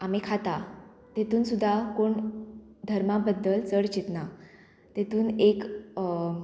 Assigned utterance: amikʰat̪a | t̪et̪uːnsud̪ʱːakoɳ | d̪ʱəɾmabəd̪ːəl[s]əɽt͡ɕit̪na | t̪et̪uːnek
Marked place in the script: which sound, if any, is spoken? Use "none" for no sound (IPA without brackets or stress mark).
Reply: t͡s